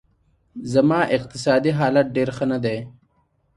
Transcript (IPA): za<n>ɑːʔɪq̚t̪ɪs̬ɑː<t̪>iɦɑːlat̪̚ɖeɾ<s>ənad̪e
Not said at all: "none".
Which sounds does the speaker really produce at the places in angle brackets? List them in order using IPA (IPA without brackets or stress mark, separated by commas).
m, d̪, x